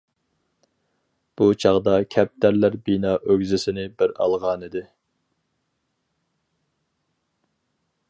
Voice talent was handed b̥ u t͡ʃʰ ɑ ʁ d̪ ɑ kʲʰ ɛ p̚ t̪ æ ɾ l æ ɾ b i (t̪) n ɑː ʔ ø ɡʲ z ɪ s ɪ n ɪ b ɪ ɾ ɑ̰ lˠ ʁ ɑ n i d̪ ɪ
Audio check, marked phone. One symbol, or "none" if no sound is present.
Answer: none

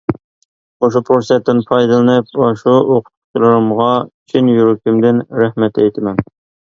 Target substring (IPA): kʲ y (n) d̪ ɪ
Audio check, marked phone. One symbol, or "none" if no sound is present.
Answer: m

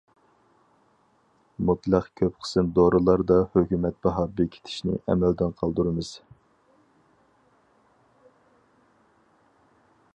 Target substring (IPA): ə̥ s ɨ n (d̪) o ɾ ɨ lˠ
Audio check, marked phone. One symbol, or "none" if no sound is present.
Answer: d̪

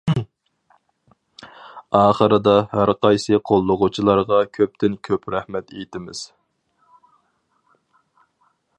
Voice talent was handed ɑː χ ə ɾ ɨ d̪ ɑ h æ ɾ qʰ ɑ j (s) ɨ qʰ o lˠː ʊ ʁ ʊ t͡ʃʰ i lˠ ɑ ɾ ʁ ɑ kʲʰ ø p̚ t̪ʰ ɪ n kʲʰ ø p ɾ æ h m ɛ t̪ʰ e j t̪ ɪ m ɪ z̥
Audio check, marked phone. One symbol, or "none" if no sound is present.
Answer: s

